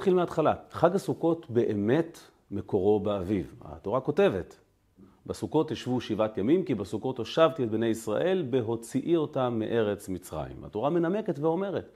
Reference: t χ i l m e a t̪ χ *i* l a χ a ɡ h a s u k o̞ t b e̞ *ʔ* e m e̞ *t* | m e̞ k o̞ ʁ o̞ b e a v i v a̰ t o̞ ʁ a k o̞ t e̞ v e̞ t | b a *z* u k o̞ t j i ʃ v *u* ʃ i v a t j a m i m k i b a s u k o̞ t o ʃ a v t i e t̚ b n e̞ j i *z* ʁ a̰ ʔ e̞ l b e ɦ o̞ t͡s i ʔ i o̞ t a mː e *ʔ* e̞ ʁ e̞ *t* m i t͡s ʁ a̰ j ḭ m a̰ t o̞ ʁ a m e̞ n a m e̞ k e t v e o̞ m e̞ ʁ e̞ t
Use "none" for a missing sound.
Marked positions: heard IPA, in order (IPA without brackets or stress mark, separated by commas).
a, ʔ, t, s, u, s, ʔ, t͡s